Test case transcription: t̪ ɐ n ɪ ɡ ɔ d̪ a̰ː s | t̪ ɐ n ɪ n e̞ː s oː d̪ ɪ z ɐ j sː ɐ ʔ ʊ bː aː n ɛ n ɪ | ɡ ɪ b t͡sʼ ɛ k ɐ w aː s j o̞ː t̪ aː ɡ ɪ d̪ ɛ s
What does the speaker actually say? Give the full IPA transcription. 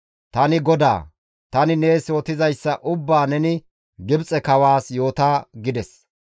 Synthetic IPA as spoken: t̪ ɐ n ɪ ɡ ɔ d̪ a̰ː | t̪ ɐ n ɪ n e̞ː s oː t̪ ɪ z ɐ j sː ɐ ʔ ʊ bː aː n ɛ n ɪ | ɡ ɪ b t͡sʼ ɛ k ɐ w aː s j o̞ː t̪ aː ɡ ɪ d̪ ɛ s

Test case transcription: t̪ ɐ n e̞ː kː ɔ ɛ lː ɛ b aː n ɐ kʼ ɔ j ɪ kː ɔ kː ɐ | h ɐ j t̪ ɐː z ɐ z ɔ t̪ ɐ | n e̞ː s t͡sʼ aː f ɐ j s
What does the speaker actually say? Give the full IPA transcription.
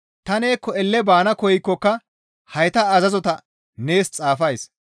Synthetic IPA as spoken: t̪ ɐ n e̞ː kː ɔ ɛ lː ɛ b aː n ɐ k ɔ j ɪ kː ɔ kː ɐ | h ɐ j t̪ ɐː z ɐ z ɔ t̪ ɐ | n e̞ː s t͡sʼ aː f ɐ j s

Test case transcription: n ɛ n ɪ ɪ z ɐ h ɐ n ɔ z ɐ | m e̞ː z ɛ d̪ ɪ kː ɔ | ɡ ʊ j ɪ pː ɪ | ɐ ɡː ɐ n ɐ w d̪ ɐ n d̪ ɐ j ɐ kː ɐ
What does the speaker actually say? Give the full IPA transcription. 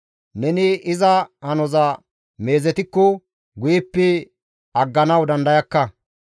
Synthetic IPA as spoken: n ɛ n ɪ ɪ z ɐ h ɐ n ɔ z ɐ | m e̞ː z ɛ t̪ ɪ kː ɔ | ɡ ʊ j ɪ pː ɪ | ɐ ɡː ɐ n ɐ w d̪ ɐ n d̪ ɐ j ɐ kː ɐ

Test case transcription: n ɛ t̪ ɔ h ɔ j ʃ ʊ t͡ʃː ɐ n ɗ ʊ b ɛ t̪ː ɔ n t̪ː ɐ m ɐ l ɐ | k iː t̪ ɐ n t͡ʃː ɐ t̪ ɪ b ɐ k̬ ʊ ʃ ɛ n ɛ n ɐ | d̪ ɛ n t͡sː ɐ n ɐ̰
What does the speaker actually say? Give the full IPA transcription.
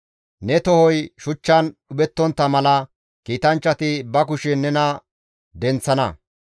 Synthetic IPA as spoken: n ɛ t̪ ɔ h ɔ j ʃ ʊ t͡ʃː ɐ n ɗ ʊ b ɛ t̪ː ɔ n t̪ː ɐ m ɐ l ɐ | k iː t̪ ɐ n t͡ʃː ɐ t̪ ɪ b ɐ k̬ ʊ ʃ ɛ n ɛ n ɐ | d̪ ɛ n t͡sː ɐ n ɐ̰

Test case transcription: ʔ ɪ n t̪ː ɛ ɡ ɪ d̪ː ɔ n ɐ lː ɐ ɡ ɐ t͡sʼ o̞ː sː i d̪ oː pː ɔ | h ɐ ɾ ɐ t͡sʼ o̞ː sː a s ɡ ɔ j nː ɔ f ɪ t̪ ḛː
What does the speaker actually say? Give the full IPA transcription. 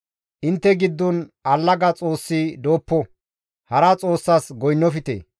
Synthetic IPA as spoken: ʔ ɪ n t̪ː ɛ ɡ ɪ d̪ː ɔ n ɐ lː ɐ ɡ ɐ t͡sʼ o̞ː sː i d̪ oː pː ɔ | h ɐ ɾ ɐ t͡sʼ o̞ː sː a s ɡ ɔ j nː ɔ f ɪ t̪ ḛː

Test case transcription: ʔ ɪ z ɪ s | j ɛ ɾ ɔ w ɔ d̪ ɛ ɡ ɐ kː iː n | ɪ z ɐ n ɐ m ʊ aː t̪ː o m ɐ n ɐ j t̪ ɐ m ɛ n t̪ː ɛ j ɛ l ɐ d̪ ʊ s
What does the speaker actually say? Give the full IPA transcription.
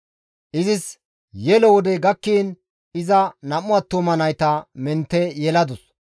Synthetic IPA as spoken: ʔ ɪ z ɪ s | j ɛ l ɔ w ɔ d̪ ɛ ɡ ɐ kː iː n | ɪ z ɐ n ɐ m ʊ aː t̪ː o m ɐ n ɐ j t̪ ɐ m ɛ n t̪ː ɛ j ɛ l ɐ d̪ ʊ s

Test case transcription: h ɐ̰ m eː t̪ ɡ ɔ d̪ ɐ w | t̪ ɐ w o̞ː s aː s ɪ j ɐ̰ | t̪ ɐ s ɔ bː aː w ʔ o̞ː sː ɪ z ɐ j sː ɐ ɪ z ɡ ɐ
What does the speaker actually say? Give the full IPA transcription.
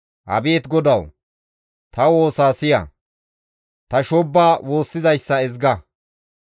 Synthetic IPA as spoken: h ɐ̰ b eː t̪ ɡ ɔ d̪ ɐ w | t̪ ɐ w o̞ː s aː s ɪ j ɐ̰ | t̪ ɐ ʃ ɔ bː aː w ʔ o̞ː sː ɪ z ɐ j sː ɐ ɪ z ɡ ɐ

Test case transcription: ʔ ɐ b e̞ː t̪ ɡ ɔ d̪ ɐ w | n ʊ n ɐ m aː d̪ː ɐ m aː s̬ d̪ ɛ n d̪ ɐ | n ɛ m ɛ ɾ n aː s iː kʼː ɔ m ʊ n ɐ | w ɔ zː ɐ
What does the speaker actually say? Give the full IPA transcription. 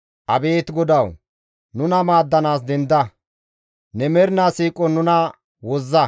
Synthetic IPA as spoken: ʔ ɐ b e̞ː t̪ ɡ ɔ d̪ ɐ w | n ʊ n ɐ m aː d̪ː ɐ n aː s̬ d̪ ɛ n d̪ ɐ | n ɛ m ɛ ɾ n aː s iː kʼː ɔ n ʊ n ɐ | w ɔ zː ɐ

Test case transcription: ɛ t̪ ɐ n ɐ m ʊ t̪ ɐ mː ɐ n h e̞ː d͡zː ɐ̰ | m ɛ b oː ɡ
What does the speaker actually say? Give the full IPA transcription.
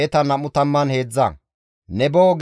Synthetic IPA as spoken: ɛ t̪ ɐ n ɐ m ʊ t̪ ɐ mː ɐ n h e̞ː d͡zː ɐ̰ | n ɛ b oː ɡ

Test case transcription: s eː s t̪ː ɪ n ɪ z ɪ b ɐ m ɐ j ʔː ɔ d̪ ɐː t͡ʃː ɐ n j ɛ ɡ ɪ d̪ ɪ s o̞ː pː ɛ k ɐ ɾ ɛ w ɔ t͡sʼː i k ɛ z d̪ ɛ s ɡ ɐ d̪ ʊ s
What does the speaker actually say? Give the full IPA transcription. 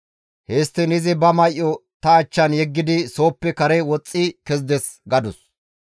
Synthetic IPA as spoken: h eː s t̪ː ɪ n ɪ z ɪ b ɐ m ɐ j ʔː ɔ t̪ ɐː t͡ʃː ɐ n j ɛ ɡː ɪ d̪ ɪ s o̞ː pː ɛ k ɐ ɾ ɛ w ɔ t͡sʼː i k ɛ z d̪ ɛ s ɡ ɐ d̪ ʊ s

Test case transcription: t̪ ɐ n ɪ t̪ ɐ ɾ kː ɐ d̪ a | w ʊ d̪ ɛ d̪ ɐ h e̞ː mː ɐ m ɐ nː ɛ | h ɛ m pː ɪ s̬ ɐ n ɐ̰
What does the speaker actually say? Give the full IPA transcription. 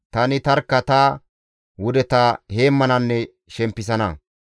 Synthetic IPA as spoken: t̪ ɐ n ɪ t̪ ɐ ɾ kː ɐ t̪ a | w ʊ d̪ ɛ t̪ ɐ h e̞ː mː ɐ n ɐ nː ɛ | ʃ ɛ m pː ɪ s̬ ɐ n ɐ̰

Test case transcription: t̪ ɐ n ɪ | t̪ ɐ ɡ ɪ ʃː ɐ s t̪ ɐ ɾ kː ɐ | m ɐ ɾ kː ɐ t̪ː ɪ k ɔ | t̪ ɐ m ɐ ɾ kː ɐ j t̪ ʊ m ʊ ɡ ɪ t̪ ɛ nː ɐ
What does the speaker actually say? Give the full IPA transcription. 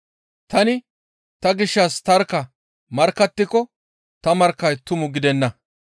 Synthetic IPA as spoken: t̪ ɐ n ɪ | t̪ ɐ ɡ ɪ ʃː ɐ s t̪ ɐ ɾ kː ɐ | m ɐ ɾ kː ɐ t̪ː ɪ k ɔ | t̪ ɐ m ɐ ɾ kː ɐ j t̪ ʊ m ʊ ɡ ɪ d̪ ɛ nː ɐ

